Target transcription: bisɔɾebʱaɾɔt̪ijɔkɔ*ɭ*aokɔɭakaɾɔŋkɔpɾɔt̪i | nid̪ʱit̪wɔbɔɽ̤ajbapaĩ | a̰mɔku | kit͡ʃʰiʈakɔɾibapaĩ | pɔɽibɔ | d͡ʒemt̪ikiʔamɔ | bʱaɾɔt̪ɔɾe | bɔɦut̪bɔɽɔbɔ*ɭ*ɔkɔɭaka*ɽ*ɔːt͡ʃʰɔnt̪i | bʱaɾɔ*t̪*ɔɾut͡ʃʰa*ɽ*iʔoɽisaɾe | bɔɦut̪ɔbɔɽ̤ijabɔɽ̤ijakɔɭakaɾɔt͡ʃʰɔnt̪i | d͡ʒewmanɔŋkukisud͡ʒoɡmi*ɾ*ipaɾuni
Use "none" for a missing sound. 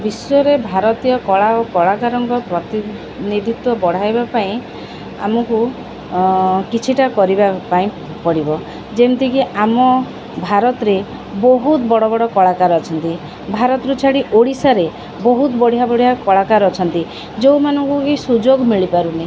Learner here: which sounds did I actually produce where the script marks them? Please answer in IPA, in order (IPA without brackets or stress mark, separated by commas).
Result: ɭ, ɽ, ɾ, t̪, ɽ, ɭ